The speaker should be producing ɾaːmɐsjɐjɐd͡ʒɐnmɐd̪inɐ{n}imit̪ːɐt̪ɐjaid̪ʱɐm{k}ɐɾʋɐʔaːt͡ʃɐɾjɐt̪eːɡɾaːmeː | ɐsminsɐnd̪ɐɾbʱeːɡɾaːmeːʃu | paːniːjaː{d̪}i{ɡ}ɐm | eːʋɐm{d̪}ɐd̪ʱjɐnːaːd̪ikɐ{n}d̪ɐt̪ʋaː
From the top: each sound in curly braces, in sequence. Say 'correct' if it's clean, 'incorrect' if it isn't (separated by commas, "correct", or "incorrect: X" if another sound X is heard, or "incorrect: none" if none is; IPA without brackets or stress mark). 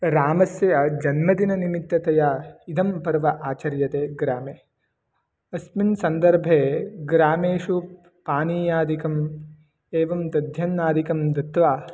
correct, incorrect: p, correct, incorrect: k, incorrect: t̪, incorrect: m